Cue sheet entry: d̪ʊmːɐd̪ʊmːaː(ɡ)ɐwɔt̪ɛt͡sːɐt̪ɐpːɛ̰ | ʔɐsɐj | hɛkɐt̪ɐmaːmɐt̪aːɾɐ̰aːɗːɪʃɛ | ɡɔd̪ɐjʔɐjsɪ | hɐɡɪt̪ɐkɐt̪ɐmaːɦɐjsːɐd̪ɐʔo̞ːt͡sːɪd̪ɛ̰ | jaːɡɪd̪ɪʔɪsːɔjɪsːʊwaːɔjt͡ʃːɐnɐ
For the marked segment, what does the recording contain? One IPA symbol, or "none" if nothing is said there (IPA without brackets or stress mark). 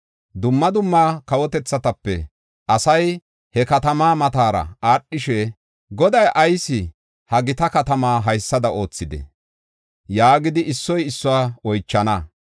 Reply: k